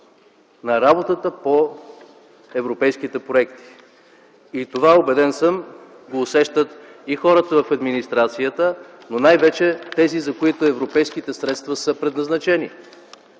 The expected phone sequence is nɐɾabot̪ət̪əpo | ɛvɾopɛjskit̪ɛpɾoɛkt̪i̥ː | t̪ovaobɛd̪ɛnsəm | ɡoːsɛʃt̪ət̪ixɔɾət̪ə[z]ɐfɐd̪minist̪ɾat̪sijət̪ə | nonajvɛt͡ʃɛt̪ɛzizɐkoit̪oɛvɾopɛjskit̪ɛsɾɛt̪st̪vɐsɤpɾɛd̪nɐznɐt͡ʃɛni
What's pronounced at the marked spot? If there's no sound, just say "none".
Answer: v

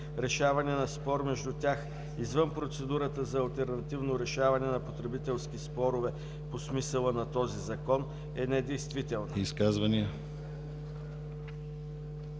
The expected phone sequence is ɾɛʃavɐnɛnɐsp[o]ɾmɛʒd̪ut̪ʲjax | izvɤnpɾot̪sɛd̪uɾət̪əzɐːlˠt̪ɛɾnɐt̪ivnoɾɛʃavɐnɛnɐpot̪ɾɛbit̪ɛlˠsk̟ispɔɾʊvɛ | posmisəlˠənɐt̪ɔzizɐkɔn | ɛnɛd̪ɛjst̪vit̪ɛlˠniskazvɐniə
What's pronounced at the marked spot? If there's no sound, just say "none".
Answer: ɔ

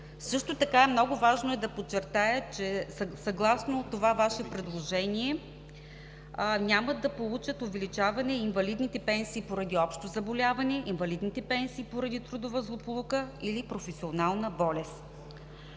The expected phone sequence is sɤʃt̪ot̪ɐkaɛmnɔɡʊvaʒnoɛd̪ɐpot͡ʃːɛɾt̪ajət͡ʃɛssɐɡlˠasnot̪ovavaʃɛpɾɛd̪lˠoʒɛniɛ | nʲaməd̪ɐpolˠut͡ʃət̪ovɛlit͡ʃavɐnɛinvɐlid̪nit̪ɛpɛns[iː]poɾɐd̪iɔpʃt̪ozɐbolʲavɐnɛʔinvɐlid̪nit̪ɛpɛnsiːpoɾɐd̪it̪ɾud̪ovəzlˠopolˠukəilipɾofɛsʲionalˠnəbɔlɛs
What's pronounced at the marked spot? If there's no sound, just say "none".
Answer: iː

